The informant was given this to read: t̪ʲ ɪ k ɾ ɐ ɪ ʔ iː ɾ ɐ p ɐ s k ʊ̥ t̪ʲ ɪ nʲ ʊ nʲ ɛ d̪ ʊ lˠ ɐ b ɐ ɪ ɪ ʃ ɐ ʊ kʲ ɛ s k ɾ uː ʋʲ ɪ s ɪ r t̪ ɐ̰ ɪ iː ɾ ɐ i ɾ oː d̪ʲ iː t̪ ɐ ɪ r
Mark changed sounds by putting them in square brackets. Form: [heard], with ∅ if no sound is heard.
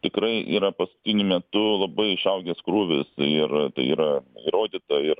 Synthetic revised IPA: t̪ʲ ɪ k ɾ ɐ ɪ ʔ iː ɾ ɐ p ɐ s k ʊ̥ t̪ʲ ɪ nʲ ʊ [mʲ] ɛ [t̪] ʊ lˠ ɐ b ɐ ɪ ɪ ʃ ɐ ʊ [ɡʲ] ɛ s k ɾ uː ʋʲ ɪ s ɪ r t̪ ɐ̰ ɪ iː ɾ ɐ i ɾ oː d̪ʲ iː t̪ ɐ ɪ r